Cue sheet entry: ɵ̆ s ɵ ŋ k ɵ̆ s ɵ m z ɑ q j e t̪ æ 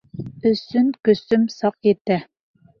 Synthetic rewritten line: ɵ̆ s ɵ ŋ k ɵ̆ s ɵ m s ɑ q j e t̪ æ